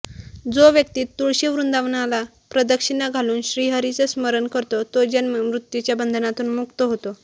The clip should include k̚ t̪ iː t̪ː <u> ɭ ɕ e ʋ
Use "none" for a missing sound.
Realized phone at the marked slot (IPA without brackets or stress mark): u